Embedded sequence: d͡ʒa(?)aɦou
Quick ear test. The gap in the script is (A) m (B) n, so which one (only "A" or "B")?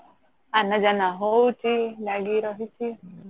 B